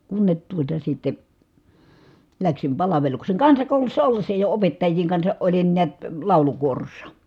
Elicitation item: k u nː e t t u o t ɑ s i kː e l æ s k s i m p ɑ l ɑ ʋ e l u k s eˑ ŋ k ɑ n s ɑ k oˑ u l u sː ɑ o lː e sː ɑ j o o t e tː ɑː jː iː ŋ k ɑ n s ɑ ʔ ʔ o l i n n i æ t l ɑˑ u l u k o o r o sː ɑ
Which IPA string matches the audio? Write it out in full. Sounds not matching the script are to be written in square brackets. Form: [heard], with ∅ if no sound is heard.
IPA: k u nː e t t u o t ɑ s i [tː] e l æ [∅] k s i m p ɑ l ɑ ʋ e l u k s eˑ ŋ k ɑ n s ɑ k oˑ u l u sː ɑ o lː e sː ɑ j o o [p] e tː [ɑ] jː iː ŋ k ɑ n s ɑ ʔ ʔ o l i n n i æ t l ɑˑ u l u k [u] o r o sː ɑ